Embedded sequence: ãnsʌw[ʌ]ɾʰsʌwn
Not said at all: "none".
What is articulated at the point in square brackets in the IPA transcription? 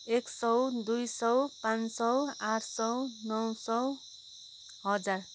a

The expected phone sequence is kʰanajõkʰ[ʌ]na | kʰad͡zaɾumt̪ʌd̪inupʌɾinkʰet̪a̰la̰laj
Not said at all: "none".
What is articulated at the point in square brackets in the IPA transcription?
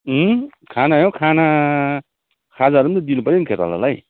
a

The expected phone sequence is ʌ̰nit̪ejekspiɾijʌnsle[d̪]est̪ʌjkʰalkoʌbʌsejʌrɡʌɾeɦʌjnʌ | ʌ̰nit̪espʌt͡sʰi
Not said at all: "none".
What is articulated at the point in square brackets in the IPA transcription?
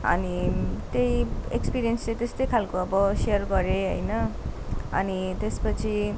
t̪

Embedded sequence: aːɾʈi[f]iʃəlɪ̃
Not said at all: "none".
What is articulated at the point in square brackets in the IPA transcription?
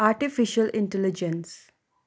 f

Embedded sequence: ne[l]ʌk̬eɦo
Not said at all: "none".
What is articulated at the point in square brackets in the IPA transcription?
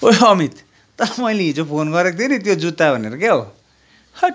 ɾ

